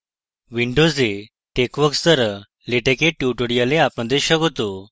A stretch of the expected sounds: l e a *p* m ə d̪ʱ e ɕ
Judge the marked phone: correct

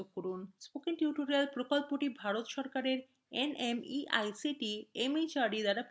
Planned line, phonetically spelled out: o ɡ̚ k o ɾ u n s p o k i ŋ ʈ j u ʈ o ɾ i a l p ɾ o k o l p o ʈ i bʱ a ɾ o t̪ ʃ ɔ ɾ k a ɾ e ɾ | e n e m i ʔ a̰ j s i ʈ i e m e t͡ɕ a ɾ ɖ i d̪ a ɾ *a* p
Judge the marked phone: correct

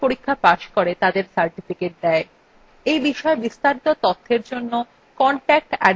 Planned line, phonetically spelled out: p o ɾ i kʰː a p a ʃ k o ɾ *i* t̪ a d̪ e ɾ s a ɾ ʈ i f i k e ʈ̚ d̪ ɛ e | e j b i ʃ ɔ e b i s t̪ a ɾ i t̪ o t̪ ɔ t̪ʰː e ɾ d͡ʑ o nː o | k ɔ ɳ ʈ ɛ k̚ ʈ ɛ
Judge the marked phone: incorrect: e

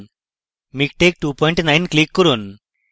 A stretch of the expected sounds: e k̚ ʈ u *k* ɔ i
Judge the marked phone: incorrect: p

